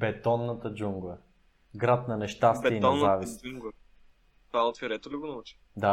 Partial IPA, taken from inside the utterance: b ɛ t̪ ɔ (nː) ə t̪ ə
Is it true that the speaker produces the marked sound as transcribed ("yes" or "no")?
yes